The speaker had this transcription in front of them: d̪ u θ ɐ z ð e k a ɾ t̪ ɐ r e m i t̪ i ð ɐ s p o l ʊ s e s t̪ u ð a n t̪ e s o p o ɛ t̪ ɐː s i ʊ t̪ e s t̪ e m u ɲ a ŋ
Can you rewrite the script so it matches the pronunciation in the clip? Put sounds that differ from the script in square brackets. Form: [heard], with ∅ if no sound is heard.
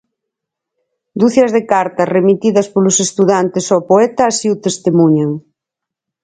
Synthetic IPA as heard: d̪ u θ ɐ z ð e k a ɾ t̪ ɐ r e m i t̪ i ð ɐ s p o l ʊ s e s t̪ u ð a n t̪ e s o p o ɛ t̪ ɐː s i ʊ t̪ e s t̪ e m u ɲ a ŋ